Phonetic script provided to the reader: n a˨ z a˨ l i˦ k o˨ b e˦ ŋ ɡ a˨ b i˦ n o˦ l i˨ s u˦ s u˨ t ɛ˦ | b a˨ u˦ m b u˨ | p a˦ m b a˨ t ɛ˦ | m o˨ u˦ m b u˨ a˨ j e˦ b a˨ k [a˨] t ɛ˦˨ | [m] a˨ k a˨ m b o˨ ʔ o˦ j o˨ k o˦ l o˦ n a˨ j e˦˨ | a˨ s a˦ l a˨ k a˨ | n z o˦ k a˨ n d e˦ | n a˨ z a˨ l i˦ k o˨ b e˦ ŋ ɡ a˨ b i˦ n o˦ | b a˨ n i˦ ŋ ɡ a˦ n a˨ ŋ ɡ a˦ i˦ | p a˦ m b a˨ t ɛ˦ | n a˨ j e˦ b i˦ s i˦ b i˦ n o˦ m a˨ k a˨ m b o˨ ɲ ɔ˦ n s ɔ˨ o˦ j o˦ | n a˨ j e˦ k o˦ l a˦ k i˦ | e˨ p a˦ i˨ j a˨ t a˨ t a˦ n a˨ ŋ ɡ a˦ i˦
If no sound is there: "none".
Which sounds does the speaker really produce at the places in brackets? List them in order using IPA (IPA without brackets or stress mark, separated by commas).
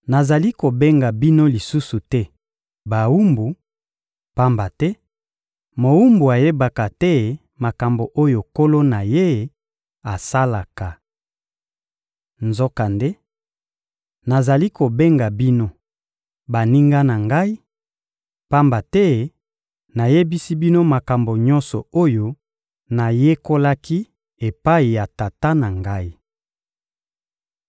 a˨, m